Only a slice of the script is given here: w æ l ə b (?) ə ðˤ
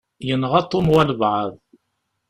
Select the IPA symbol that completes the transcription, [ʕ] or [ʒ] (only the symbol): ʕ